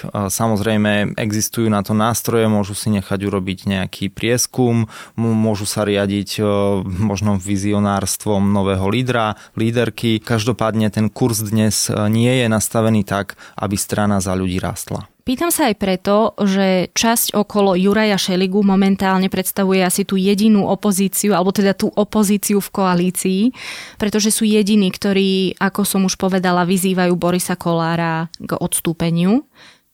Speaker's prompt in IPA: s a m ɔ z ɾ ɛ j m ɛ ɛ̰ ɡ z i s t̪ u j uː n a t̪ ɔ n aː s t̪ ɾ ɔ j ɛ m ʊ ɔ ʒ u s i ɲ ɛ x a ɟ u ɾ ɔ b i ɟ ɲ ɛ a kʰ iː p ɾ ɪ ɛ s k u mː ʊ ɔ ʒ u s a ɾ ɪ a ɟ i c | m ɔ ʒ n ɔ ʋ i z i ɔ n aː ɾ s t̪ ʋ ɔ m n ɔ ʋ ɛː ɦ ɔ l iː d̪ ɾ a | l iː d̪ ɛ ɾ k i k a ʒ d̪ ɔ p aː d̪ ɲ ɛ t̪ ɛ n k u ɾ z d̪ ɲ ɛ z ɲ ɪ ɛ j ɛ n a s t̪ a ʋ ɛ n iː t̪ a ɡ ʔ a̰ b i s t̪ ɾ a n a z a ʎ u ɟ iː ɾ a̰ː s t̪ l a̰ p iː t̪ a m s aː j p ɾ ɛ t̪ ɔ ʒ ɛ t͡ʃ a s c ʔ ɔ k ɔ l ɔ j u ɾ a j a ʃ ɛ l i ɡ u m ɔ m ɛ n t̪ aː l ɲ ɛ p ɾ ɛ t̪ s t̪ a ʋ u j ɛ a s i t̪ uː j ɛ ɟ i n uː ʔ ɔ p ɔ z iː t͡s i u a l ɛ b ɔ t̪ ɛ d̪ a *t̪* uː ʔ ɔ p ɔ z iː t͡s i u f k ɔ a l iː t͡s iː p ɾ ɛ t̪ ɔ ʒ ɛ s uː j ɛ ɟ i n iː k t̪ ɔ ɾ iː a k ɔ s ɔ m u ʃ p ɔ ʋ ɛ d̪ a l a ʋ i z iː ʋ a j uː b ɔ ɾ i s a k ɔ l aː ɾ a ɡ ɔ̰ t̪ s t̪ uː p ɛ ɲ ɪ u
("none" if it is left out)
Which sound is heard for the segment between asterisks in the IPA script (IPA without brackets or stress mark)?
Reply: t̪